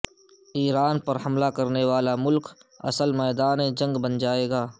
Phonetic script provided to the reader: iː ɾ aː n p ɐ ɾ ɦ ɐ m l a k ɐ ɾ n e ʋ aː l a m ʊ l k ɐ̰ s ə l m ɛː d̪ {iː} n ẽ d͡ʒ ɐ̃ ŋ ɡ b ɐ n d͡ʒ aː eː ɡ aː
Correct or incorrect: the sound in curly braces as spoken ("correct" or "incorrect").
incorrect